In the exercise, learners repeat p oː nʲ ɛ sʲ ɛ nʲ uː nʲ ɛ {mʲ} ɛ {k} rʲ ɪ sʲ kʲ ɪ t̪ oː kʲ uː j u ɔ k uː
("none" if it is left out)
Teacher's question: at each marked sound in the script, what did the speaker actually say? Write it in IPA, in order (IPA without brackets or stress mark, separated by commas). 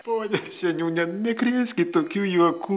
nʲ, k